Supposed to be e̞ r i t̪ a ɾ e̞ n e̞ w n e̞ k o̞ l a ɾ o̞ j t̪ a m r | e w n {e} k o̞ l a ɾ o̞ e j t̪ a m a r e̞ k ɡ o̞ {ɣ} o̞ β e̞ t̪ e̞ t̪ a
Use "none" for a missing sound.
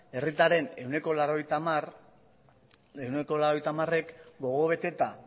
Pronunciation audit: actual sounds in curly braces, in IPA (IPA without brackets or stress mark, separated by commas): e, ɣ